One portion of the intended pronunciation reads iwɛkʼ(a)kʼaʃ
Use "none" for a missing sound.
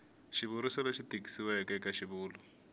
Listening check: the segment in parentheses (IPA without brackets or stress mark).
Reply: ɛ